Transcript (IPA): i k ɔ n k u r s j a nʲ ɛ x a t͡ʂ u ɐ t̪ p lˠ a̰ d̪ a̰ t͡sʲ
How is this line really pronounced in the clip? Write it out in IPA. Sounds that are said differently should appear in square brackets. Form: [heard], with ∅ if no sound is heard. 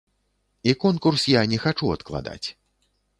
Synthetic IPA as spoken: i k ɔ n k u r s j a nʲ ɛ x a t͡ʂ u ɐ t̪ [k] lˠ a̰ d̪ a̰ t͡sʲ